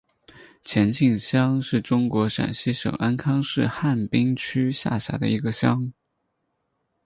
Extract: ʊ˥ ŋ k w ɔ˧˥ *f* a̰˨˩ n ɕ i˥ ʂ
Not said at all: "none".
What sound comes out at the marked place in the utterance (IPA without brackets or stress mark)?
ʂ